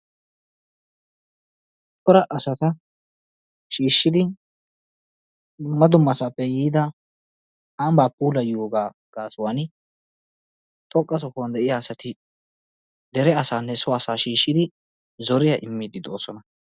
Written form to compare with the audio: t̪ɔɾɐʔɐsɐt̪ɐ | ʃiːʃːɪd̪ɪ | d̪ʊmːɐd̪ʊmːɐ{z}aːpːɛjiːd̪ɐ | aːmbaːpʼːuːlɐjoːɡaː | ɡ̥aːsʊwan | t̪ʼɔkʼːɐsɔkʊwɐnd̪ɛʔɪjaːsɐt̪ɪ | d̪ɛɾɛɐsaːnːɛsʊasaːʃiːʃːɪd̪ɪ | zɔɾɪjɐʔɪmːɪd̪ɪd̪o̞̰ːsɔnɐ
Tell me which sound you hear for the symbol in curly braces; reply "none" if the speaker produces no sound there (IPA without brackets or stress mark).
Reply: s